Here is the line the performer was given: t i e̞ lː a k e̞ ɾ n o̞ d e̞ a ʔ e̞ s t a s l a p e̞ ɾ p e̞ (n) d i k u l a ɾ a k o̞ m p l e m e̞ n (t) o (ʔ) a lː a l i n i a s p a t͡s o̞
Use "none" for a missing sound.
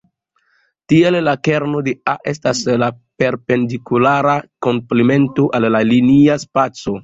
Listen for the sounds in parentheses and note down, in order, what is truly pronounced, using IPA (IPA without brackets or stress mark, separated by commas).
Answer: n, t, ʔ